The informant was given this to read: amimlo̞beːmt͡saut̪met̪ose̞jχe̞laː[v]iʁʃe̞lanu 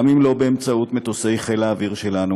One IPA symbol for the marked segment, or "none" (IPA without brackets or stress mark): v